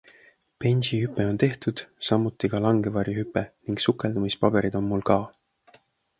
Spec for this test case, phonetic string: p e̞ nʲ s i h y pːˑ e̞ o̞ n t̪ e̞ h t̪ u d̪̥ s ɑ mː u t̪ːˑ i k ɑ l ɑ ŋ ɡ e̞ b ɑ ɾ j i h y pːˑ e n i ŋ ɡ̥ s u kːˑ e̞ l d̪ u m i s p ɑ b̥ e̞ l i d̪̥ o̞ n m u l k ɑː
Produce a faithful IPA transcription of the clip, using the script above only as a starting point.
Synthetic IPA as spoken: p e̞ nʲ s i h y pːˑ e̞ o̞ n t̪ e̞ h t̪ u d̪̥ s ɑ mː u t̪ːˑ i k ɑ l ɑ ŋ ɡ e̞ v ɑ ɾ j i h y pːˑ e n i ŋ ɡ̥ s u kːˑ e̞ l d̪ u m i s p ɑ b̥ e̞ ɾ i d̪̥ o̞ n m u l k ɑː